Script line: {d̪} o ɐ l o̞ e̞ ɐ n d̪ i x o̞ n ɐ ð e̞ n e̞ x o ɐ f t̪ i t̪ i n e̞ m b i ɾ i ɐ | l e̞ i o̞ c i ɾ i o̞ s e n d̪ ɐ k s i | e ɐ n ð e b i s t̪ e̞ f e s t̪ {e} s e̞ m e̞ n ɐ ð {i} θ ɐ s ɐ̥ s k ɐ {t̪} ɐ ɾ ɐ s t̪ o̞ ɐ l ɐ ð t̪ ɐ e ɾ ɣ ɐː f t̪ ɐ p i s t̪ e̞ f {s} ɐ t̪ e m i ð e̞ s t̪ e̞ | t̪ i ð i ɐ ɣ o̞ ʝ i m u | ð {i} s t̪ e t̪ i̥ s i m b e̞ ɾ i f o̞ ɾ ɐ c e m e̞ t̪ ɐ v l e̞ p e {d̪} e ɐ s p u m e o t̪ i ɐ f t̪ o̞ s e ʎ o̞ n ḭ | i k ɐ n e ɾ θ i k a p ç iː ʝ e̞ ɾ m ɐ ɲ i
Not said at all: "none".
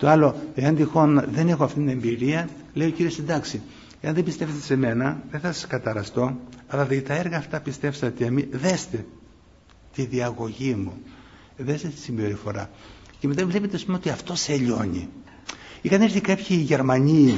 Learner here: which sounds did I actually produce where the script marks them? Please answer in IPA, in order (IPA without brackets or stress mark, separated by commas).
t̪, e, e, t̪, s, e, t̪